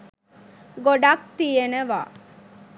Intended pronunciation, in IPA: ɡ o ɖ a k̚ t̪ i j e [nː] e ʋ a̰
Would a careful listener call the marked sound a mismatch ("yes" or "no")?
yes